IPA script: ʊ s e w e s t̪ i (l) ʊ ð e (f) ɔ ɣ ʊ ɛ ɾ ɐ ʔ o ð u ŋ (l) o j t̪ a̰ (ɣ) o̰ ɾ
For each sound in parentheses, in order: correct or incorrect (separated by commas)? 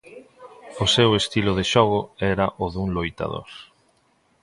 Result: correct, incorrect, correct, incorrect